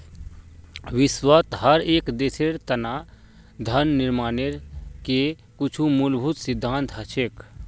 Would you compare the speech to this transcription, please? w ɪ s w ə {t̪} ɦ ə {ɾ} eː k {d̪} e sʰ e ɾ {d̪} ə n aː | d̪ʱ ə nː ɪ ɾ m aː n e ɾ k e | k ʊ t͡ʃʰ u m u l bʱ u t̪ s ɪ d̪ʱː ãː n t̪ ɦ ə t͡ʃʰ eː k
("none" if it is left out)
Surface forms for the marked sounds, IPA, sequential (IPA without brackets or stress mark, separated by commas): t̪, ɾ, d̪, t̪